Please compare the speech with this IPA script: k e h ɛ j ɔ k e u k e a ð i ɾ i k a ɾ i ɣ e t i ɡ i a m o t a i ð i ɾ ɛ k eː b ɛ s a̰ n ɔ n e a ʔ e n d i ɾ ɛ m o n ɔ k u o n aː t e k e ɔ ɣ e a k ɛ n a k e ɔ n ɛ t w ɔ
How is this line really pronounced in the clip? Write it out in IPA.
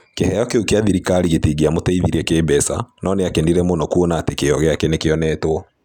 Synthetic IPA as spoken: k e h ɛ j ɔ k e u k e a ð i ɾ i k a ɾ i ɣ e t i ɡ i a m o t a i ð i ɾ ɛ k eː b ɛ s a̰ n ɔ n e a k e n d i ɾ ɛ m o n ɔ k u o n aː t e k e ɔ ɣ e a k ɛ n e k e ɔ n ɛ t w ɔ